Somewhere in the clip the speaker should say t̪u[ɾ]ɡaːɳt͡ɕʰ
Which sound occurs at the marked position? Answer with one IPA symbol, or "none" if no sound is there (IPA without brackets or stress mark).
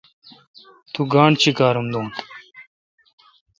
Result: none